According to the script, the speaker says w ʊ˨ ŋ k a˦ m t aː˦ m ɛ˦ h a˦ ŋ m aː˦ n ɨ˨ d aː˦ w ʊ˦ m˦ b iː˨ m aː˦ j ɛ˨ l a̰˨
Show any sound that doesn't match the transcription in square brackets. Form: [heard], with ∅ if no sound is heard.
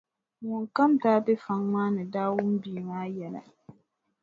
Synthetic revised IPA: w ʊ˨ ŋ k a˦ m t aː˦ [b] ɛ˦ [f] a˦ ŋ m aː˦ n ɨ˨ d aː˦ w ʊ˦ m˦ b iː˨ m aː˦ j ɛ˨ l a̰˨